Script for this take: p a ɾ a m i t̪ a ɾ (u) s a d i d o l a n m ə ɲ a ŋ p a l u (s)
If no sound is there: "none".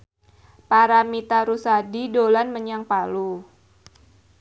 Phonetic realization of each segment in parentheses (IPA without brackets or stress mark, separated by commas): u, none